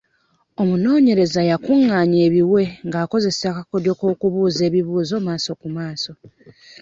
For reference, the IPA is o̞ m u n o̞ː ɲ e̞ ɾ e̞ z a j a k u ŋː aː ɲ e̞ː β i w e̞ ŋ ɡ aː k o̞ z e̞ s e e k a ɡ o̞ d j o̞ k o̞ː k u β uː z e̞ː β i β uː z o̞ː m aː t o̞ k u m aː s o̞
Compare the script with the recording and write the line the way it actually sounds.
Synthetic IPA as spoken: o̞ m u n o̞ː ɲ e̞ ɾ e̞ z a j a k u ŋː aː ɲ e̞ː β i w e̞ ŋ ɡ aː k o̞ z e̞ s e a k a k o̞ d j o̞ k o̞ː k u β uː z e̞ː β i β uː z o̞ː m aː s o̞ k u m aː s o̞